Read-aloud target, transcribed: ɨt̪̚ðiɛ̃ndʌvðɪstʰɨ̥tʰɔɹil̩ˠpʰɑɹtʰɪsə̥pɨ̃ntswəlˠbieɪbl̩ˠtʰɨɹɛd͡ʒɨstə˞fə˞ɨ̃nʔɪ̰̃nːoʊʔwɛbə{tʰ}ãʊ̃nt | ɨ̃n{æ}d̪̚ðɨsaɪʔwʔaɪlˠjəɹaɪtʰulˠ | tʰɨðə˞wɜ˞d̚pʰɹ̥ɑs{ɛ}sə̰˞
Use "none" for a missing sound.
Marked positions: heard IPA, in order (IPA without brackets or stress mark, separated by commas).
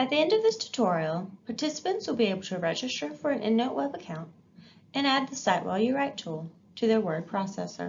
kʰ, æ, ɛ